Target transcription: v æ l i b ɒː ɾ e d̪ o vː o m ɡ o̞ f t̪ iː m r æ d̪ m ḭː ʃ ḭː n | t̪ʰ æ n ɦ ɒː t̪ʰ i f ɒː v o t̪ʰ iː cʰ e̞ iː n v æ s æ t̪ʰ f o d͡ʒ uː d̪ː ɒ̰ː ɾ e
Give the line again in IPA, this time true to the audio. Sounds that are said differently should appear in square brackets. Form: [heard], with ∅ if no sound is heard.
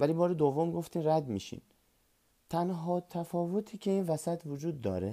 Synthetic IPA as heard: v æ l i b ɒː ɾ e d̪ o vː o m ɡ o̞ f t̪ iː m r æ d̪ m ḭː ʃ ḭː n | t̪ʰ æ n ɦ ɒː t̪ʰ [æ] f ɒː v o t̪ʰ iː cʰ e̞ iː n v æ s æ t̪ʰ [v] o d͡ʒ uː d̪ː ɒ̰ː ɾ e